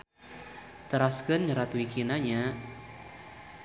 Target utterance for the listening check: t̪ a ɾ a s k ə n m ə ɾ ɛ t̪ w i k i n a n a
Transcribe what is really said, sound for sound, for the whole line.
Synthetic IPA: t̪ ə ɾ a s k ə n ɲ ə ɾ a t̪ w i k i n a ɲ a